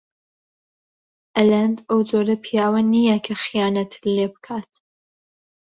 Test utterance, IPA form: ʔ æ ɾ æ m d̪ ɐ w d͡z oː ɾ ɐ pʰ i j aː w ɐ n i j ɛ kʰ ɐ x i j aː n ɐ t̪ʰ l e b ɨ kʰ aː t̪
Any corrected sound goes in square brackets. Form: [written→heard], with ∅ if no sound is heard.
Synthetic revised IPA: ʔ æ [ɾ→l] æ [m→n] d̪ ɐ w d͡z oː ɾ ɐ pʰ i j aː w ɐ n i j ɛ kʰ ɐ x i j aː n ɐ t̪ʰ l e b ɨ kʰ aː t̪